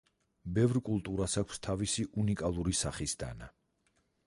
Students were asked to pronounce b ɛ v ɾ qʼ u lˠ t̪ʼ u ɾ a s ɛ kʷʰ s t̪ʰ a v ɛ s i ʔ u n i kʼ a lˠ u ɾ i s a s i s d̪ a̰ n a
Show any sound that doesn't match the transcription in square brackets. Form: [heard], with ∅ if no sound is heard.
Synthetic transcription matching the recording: b ɛ v ɾ [kʼ] u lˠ t̪ʼ u ɾ a s [a] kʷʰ s t̪ʰ a v [i] s i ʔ u n i kʼ a lˠ u ɾ i s a [χ] i s d̪ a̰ n a

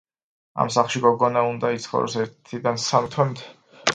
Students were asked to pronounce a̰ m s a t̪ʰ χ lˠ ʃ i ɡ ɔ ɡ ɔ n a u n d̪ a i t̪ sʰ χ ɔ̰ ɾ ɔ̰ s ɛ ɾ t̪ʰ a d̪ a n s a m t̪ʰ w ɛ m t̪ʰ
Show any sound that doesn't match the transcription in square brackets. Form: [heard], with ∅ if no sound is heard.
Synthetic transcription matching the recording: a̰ m s a [∅] χ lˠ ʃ i ɡ ɔ ɡ ɔ n a u n d̪ a i t̪ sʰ χ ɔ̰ ɾ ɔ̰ s ɛ ɾ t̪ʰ [i] d̪ a n s a m t̪ʰ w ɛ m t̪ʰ

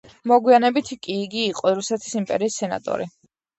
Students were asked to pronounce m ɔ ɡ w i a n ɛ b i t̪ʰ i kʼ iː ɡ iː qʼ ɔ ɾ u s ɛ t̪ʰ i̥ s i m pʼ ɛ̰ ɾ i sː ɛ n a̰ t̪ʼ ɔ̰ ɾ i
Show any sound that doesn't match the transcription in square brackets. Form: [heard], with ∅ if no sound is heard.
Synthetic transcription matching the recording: m ɔ ɡ w i a n ɛ b i t̪ʰ i kʼ iː ɡ iː qʼ ɔ ɾ u s ɛ t̪ʰ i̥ s i m pʼ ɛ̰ ɾ [iː] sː ɛ n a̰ t̪ʼ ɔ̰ ɾ i

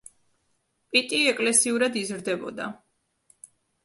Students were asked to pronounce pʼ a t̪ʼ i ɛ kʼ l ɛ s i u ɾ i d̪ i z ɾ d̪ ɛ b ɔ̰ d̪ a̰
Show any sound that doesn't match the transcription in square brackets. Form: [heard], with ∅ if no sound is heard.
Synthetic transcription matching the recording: pʼ [i] t̪ʼ i ɛ kʼ l ɛ s i u ɾ [a] d̪ i z ɾ d̪ ɛ b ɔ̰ d̪ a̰

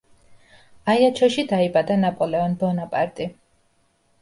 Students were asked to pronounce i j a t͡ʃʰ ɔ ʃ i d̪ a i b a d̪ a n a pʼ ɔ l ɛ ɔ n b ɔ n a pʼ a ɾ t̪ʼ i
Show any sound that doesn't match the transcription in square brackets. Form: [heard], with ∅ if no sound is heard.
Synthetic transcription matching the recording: [a] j a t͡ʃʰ ɔ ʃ i d̪ a i b a d̪ a n a pʼ ɔ l ɛ ɔ n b ɔ n a pʼ a ɾ t̪ʼ i

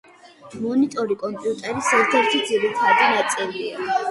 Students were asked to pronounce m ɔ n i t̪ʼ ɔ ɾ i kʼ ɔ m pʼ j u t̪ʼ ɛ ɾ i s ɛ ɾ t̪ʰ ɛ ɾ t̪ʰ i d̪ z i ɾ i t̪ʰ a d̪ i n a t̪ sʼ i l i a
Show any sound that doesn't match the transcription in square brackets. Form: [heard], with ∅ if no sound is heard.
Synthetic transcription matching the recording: m ɔ n i t̪ʼ ɔ ɾ i kʼ ɔ m pʼ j u t̪ʼ ɛ ɾ i s ɛ ɾ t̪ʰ ɛ ɾ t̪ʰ i d̪ z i ɾ i t̪ʰ a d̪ i n a t̪ sʼ i l i a

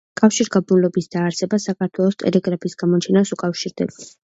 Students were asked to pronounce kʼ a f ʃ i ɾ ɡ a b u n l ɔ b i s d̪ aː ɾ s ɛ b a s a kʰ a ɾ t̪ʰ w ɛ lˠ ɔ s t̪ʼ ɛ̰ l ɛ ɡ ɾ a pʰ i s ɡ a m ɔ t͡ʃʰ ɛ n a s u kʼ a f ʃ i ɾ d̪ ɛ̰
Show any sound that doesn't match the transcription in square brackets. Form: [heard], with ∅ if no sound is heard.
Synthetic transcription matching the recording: kʼ a f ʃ i ɾ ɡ a b u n l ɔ b i s d̪ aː ɾ s ɛ b a s a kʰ a ɾ t̪ʰ w ɛ lˠ ɔ s t̪ʼ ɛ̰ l ɛ ɡ ɾ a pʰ i s ɡ a m ɔ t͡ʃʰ ɛ n a s u kʼ a f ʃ i ɾ d̪ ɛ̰

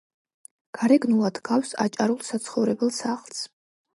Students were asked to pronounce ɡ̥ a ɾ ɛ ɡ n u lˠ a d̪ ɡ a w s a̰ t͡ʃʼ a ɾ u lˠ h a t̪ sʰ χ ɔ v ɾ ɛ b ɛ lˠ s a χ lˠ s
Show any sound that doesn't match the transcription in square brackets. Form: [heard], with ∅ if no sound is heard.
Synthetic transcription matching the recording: ɡ̥ a ɾ ɛ ɡ n u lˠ a d̪ ɡ a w s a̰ t͡ʃʼ a ɾ u lˠ [s] a t̪ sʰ χ ɔ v ɾ ɛ b ɛ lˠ s a χ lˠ s

